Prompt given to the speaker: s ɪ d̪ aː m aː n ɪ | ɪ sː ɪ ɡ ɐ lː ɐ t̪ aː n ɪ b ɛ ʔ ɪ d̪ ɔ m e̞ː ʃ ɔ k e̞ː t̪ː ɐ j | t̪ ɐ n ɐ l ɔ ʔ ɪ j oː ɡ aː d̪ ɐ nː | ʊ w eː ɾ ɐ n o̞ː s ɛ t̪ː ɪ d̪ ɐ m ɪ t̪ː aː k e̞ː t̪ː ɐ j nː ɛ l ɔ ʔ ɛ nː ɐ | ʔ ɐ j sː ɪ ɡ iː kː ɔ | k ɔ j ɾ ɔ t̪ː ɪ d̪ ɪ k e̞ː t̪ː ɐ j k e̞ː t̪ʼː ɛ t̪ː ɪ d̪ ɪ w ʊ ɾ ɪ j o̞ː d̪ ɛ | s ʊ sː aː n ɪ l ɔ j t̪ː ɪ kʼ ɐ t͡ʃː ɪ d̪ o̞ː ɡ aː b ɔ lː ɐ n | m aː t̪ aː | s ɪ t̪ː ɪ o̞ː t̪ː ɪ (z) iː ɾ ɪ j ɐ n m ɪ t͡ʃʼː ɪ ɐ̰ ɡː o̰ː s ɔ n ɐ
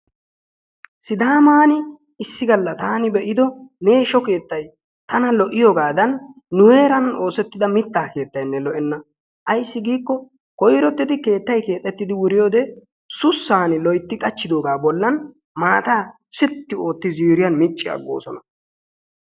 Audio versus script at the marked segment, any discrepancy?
no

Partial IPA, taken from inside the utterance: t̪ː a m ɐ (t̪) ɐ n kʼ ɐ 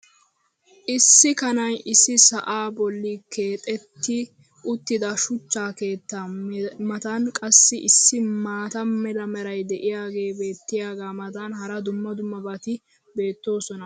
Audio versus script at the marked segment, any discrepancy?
no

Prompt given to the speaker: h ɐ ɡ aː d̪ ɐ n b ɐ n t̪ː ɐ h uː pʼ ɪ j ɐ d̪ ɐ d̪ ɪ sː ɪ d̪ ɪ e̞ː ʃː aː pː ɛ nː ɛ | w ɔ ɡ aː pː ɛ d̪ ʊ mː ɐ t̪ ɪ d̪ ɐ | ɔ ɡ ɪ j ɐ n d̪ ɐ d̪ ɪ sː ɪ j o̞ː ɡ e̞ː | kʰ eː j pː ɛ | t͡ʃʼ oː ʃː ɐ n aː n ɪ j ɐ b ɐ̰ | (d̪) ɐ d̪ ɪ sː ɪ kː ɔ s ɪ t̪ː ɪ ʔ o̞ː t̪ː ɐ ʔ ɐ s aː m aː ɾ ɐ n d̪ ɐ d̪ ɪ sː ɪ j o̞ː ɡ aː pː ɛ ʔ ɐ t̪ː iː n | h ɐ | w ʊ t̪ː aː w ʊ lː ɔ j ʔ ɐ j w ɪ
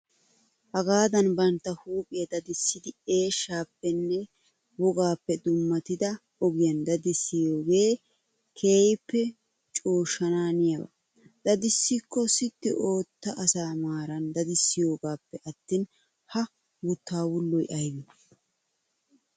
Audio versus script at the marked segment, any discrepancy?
no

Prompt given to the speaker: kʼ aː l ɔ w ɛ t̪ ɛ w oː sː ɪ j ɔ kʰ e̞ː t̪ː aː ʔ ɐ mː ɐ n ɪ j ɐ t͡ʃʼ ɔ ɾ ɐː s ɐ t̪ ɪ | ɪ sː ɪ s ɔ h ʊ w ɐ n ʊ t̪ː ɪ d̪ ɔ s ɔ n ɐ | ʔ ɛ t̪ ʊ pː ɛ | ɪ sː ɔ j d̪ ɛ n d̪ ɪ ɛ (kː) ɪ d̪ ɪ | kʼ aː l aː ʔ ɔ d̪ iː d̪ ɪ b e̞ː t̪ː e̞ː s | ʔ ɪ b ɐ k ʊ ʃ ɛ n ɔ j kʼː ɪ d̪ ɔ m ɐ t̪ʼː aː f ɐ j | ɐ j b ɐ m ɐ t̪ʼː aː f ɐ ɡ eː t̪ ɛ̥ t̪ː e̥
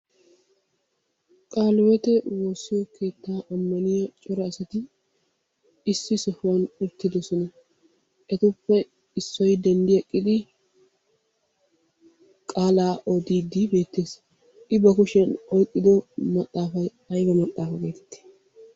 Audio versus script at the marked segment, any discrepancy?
yes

